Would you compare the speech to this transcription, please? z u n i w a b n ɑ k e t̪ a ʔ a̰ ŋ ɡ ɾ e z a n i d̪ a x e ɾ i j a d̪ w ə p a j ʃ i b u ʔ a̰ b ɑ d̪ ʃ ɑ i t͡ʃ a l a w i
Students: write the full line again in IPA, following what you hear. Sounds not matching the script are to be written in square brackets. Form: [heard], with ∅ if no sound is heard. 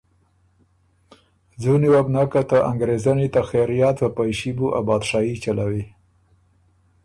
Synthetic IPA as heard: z u n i w a b n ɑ k [a] t̪ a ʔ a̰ ŋ ɡ ɾ e z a n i [t̪] a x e ɾ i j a [t̪] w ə p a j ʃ i b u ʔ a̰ b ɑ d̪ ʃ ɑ i t͡ʃ a l a w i